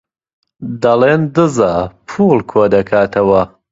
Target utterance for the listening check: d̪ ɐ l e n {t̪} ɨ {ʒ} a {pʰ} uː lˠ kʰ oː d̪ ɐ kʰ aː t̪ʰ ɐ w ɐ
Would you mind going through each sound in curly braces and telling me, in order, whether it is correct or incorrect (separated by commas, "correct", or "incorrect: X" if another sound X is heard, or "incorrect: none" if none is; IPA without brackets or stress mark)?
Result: incorrect: d̪, incorrect: z, correct